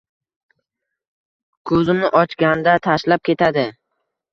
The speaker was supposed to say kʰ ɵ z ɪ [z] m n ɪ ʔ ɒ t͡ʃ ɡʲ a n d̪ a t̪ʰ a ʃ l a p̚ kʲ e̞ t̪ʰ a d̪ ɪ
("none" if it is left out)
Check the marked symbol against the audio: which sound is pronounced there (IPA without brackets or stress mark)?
none